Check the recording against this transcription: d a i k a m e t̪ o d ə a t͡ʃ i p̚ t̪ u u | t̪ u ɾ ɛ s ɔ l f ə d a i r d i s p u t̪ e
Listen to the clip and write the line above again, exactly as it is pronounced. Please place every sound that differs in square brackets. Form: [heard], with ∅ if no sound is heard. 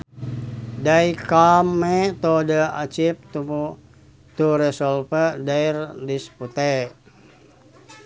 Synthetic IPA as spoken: d a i k a m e t̪ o d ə a t͡ʃ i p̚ t̪ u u | t̪ u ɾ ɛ s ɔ l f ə d a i r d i s p u t̪ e